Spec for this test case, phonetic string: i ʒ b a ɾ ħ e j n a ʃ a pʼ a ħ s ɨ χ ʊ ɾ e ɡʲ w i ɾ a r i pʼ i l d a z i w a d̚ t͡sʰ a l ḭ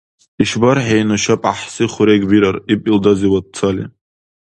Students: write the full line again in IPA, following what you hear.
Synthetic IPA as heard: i ʃ b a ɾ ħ e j n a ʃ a pʼ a ħ s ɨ χ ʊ ɾ e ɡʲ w i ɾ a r i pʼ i l d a z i w a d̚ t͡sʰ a l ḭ